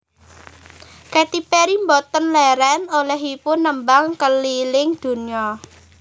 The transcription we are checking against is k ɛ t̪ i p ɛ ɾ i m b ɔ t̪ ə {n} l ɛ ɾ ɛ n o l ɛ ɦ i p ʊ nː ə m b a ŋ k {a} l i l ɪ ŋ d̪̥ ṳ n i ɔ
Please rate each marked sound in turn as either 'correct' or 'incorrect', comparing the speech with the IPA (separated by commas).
correct, incorrect